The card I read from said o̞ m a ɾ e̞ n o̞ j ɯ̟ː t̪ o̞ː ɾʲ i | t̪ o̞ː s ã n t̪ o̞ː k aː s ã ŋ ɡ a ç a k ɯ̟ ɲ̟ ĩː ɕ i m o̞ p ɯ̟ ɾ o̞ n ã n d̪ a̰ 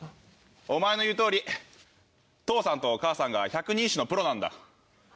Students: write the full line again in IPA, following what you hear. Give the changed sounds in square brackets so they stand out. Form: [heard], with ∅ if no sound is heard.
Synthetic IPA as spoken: o̞ m a [∅] e̞ n o̞ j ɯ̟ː t̪ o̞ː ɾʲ i | t̪ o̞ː s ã n t̪ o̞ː k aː s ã ŋ ɡ a ç a k ɯ̟ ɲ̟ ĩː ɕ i [n] o̞ p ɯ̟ ɾ o̞ n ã n d̪ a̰